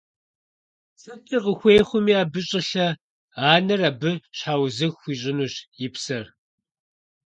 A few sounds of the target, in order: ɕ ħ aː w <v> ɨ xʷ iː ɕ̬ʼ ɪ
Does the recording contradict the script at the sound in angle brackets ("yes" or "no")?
yes